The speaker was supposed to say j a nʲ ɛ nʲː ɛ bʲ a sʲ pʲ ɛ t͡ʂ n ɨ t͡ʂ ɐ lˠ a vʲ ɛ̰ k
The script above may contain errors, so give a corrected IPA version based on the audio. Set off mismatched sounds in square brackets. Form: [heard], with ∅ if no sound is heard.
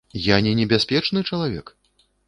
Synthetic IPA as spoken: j a nʲ ɛ [nʲ] ɛ bʲ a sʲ pʲ ɛ t͡ʂ n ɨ t͡ʂ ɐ lˠ a vʲ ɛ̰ k